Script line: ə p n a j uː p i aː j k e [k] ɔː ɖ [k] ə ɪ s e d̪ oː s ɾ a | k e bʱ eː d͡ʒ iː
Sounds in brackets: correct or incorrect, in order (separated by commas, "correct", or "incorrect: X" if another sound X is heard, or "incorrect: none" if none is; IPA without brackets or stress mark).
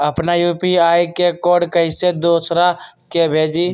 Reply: correct, correct